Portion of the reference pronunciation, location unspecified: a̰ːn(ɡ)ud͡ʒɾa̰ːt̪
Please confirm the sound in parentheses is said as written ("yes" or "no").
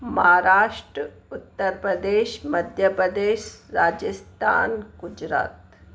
yes